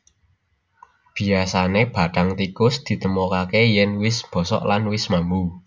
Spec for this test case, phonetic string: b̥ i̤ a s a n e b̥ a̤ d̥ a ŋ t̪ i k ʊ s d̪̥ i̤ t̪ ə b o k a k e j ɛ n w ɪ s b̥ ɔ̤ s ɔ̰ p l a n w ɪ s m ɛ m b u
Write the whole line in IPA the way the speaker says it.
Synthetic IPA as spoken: b̥ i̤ a s a n e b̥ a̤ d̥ a ŋ t̪ i k ʊ s d̪̥ i̤ t̪ ə m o k a k e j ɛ n w ɪ s b̥ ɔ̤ s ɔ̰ ʔ l a n w ɪ s m a m b u